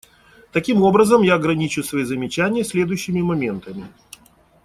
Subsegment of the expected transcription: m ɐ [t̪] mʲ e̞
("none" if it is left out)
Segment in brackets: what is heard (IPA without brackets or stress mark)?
none